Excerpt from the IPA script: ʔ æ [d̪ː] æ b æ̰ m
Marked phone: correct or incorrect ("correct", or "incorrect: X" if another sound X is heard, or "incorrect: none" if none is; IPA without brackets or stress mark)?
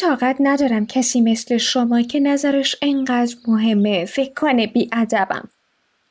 incorrect: d̪